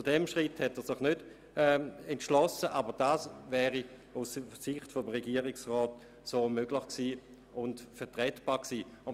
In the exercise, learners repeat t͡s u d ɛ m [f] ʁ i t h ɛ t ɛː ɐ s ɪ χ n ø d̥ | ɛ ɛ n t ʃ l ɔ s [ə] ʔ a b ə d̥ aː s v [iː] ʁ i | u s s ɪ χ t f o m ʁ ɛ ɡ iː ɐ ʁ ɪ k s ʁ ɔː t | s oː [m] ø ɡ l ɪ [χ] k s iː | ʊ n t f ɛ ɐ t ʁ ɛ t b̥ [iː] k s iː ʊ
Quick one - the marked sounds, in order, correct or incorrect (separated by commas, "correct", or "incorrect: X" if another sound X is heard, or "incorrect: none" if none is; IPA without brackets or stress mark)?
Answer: incorrect: ʃ, correct, incorrect: ɛː, correct, correct, incorrect: aː